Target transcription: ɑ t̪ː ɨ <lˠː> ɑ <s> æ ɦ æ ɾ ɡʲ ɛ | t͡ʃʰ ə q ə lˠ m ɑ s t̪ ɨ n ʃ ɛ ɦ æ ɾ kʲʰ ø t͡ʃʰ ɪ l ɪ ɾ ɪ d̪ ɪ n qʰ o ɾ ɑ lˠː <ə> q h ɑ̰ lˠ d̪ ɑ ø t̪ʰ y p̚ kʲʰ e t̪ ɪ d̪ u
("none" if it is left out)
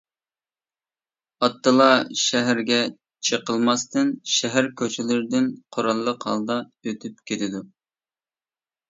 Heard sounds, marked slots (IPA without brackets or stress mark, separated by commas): lˠ, ʃ, ə